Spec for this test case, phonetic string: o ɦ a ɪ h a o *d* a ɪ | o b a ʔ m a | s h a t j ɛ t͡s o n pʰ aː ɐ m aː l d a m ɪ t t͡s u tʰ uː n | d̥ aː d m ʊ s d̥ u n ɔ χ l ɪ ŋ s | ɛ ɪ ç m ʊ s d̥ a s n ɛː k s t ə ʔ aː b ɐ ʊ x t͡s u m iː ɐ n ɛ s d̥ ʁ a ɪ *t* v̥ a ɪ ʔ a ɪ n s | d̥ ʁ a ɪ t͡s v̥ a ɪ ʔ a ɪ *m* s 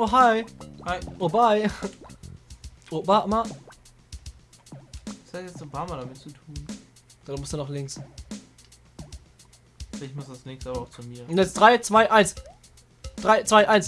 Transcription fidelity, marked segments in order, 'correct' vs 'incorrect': incorrect, incorrect, incorrect

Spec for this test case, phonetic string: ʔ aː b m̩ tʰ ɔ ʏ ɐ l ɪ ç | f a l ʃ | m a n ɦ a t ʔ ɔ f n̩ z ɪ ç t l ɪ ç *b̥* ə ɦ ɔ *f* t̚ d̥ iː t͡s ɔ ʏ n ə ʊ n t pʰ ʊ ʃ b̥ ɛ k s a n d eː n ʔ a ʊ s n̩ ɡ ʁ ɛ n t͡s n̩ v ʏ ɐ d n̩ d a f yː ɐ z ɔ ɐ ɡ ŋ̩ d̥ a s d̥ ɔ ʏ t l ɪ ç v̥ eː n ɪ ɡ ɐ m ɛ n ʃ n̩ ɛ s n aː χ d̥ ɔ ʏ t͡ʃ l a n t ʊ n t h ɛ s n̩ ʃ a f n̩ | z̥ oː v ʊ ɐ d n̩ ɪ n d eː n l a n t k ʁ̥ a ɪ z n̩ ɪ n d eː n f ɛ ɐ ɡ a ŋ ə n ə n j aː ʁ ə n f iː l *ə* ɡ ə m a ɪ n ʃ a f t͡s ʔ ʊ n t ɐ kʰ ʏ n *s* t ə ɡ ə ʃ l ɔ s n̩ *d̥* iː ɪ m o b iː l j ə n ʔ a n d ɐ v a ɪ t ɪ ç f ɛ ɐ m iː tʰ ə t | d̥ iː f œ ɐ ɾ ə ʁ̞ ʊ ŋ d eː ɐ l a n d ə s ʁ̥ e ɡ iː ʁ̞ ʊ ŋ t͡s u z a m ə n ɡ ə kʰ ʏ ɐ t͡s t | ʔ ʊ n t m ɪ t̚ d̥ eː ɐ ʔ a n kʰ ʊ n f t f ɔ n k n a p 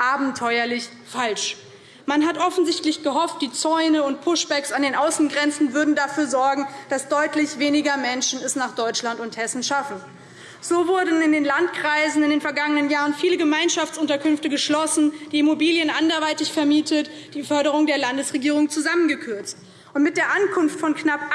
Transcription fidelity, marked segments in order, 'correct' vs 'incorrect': incorrect, correct, correct, incorrect, correct

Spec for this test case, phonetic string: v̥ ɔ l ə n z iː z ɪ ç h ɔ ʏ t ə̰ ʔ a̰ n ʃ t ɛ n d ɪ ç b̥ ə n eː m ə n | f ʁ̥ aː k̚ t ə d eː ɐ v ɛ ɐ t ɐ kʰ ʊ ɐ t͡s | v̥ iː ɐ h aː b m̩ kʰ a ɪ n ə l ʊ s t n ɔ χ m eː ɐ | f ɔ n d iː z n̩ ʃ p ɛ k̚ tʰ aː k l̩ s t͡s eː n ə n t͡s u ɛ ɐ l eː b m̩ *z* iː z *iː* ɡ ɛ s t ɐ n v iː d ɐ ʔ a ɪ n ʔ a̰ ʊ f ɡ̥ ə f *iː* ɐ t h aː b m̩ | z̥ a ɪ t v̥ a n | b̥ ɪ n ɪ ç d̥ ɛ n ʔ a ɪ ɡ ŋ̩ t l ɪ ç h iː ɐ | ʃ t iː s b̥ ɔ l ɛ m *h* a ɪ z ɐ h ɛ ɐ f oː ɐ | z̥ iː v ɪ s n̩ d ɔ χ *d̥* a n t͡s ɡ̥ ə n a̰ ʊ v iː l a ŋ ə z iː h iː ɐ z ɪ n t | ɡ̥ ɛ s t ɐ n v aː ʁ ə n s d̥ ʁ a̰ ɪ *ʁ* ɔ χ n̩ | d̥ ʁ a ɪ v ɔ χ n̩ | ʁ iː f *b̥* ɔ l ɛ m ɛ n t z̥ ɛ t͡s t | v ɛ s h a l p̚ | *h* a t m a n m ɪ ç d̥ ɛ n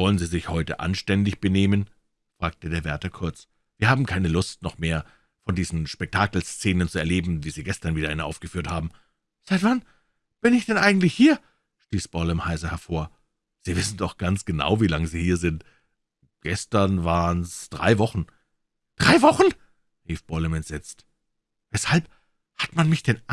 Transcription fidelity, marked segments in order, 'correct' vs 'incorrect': incorrect, correct, incorrect, correct, incorrect, incorrect, correct, correct

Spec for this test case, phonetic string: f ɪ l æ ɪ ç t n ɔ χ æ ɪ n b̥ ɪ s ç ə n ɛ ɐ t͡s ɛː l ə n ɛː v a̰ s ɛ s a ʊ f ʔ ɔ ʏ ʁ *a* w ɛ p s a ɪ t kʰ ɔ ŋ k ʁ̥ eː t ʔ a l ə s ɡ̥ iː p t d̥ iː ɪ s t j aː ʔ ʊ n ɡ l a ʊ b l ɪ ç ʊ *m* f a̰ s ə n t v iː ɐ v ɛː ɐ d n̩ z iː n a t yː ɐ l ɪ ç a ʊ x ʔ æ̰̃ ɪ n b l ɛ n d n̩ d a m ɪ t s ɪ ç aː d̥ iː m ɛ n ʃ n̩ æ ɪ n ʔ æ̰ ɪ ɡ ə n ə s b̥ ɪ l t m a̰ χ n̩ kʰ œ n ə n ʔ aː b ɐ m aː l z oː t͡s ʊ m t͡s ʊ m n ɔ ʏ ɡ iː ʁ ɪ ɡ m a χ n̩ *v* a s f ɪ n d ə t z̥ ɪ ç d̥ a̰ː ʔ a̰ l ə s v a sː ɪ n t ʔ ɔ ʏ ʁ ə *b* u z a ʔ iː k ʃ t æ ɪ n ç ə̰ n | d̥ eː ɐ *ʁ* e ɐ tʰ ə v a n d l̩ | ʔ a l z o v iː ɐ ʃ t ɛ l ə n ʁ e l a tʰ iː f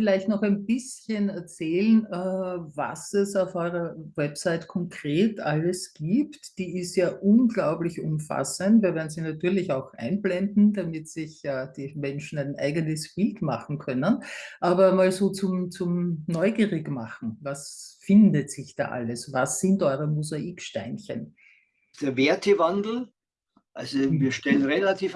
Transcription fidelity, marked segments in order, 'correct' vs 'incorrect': incorrect, correct, correct, incorrect, incorrect

